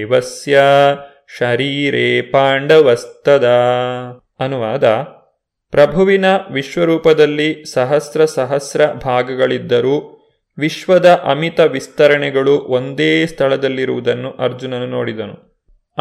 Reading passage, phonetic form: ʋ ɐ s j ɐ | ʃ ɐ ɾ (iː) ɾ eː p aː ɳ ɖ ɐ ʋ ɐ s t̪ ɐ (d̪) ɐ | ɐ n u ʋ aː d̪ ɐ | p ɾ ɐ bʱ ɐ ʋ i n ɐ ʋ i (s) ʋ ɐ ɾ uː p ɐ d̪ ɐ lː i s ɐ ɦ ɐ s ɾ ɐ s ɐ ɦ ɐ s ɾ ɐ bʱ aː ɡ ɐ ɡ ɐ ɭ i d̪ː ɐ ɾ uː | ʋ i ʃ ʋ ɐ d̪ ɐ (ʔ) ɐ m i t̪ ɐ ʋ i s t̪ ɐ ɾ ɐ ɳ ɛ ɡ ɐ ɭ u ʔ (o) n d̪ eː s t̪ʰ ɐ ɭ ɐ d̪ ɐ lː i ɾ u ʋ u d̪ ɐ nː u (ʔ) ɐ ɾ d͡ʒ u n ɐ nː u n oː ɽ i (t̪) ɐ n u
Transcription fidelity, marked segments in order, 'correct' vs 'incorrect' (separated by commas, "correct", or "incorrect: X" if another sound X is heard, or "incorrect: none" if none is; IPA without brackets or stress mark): correct, correct, incorrect: ʃ, correct, correct, correct, incorrect: d̪